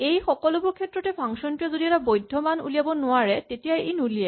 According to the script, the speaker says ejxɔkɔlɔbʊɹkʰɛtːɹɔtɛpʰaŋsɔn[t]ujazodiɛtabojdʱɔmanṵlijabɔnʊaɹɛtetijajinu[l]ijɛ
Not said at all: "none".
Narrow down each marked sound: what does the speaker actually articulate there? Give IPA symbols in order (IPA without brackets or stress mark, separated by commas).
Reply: t, l